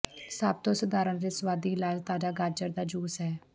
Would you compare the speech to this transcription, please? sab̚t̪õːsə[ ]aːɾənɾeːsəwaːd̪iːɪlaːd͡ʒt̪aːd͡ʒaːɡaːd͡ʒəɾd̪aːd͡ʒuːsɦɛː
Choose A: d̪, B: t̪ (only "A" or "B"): A